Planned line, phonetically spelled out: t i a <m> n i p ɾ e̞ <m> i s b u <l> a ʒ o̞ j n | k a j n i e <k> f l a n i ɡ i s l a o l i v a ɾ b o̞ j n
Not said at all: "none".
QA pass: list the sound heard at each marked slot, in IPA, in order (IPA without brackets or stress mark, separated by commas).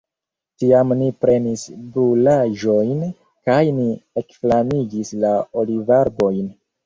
m, n, l, k